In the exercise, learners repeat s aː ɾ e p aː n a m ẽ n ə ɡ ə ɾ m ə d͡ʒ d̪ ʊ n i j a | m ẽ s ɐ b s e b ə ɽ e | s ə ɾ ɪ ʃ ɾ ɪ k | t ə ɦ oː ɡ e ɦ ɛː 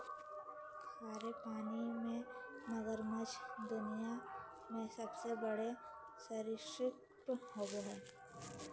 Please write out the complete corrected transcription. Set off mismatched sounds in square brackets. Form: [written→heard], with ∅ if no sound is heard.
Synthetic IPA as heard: s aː ɾ e p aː n [a→i] m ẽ n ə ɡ ə ɾ m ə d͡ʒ d̪ ʊ n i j a | m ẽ s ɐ b s e b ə ɽ e | s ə ɾ ɪ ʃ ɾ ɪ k | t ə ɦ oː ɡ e ɦ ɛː